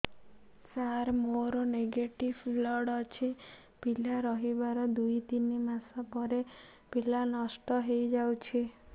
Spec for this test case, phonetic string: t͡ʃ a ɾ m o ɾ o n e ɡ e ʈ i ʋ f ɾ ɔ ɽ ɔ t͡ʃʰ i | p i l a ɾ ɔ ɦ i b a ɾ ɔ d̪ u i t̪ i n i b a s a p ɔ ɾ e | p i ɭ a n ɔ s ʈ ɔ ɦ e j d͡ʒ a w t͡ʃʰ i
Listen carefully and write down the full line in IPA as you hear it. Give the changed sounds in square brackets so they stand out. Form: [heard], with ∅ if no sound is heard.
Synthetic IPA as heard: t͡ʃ a ɾ m o ɾ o n e ɡ e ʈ i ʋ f [l] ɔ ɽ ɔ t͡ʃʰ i | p i l a ɾ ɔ ɦ i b a ɾ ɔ d̪ u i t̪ i n i [m] a s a p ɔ ɾ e | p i [l] a n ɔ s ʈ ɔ ɦ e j d͡ʒ a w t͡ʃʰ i